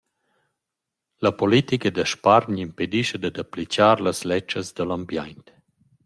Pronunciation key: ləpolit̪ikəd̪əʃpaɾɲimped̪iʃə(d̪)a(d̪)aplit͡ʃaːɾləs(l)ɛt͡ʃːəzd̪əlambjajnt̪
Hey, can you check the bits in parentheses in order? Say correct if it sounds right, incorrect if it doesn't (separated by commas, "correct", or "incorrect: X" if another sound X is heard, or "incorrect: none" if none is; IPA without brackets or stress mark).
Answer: correct, correct, correct